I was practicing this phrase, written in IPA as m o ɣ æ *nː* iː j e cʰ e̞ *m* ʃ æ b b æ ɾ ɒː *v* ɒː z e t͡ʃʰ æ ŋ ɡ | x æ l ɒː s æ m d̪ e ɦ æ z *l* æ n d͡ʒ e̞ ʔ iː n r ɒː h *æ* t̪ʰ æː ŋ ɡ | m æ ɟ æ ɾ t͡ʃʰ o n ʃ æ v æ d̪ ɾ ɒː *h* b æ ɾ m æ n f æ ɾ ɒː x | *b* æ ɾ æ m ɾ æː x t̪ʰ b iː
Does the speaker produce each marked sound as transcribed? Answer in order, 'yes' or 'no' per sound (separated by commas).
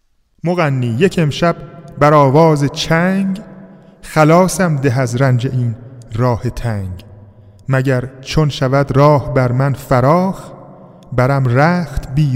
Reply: yes, yes, yes, no, no, yes, yes